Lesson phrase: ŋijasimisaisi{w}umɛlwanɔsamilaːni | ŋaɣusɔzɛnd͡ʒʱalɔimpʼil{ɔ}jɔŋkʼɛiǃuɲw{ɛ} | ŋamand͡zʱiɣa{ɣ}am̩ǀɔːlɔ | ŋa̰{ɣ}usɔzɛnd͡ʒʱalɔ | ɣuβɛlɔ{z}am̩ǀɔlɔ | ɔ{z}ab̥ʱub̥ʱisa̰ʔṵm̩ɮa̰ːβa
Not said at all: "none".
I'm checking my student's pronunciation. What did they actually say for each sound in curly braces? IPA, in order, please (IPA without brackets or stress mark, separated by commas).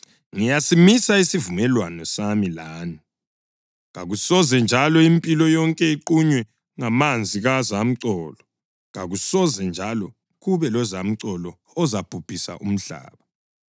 v, ɔ, ɛ, z, ɣ, z, z